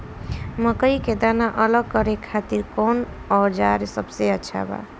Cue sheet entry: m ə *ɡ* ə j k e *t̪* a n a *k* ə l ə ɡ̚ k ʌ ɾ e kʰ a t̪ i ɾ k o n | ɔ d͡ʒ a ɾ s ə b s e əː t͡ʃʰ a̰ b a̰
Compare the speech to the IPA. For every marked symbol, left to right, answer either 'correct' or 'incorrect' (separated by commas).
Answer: incorrect, incorrect, incorrect